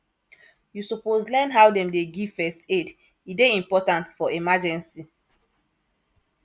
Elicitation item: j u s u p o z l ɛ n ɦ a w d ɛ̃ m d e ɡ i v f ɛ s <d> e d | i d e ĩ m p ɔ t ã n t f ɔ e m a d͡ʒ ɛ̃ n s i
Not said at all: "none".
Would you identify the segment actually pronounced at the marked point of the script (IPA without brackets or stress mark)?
t